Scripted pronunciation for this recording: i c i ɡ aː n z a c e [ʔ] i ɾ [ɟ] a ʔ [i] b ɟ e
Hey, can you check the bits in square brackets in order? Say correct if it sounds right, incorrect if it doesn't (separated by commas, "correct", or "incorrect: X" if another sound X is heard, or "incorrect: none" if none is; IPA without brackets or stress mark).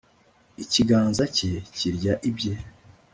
incorrect: c, correct, correct